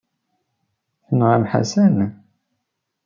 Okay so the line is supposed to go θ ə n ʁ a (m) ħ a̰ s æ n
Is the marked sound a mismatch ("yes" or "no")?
no